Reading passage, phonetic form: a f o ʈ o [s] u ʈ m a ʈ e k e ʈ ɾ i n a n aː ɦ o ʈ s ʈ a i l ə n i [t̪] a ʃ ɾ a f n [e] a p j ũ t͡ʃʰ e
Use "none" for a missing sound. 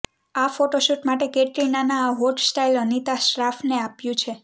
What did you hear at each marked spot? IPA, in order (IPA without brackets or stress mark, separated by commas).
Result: ʃ, t̪, e